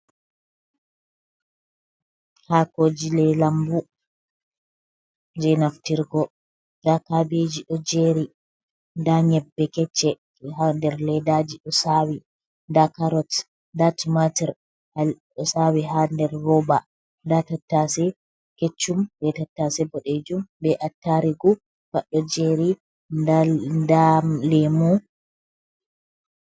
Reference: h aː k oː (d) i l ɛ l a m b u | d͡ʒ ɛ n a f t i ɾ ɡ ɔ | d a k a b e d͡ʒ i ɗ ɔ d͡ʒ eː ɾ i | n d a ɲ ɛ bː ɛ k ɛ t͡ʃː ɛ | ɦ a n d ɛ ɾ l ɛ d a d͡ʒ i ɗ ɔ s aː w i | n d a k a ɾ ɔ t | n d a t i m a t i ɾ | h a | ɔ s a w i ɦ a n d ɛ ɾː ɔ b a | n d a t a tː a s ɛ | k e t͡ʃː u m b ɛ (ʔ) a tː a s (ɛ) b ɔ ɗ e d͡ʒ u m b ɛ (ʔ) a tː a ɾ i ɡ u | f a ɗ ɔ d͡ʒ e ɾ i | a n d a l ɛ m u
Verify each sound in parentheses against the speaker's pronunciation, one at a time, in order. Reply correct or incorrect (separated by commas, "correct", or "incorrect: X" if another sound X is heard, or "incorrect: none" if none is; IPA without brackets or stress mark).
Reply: incorrect: d͡ʒ, incorrect: t, correct, correct